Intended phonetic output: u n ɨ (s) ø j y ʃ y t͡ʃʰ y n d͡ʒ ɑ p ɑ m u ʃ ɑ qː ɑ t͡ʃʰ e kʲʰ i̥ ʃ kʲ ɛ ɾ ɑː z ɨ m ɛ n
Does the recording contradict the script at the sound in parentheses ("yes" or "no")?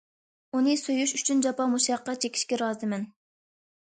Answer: no